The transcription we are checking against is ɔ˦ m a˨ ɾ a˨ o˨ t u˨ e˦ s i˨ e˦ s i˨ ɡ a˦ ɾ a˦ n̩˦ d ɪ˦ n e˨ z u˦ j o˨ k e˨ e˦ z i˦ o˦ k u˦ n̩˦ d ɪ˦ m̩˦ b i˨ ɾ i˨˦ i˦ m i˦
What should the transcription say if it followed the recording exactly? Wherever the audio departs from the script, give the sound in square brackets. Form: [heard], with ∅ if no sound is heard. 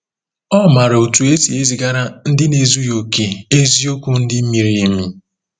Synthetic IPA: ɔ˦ m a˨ ɾ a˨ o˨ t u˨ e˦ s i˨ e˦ [z] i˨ ɡ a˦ ɾ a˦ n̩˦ d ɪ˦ n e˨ z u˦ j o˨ k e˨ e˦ z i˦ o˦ k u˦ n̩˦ d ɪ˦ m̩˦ [m] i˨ ɾ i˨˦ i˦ m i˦